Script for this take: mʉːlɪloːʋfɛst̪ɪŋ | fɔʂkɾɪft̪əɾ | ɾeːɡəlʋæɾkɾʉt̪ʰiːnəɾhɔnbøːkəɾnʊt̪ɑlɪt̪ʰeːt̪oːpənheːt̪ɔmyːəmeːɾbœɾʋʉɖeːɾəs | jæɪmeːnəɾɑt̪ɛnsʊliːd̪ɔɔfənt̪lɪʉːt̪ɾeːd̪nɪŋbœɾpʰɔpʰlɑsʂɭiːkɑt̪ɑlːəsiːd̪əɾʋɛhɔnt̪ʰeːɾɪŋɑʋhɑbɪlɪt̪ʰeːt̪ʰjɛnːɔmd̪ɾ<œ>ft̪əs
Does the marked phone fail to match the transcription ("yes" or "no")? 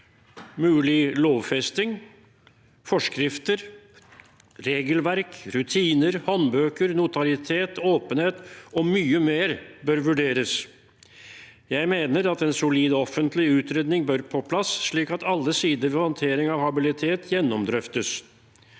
no